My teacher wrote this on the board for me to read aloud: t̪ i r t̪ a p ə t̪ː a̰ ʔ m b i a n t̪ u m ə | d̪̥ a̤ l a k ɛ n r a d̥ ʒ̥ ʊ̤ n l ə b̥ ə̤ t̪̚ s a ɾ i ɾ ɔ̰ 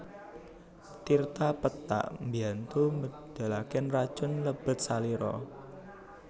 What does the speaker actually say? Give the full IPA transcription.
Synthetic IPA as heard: t̪ i r t̪ a p ə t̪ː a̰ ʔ m b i a n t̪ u m ə | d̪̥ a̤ l a k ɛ n r a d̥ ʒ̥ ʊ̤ n l ə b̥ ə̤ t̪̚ s a l i ɾ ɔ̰